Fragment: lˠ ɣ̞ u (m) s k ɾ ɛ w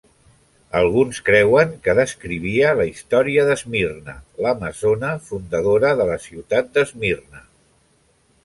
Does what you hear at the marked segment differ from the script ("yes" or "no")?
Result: yes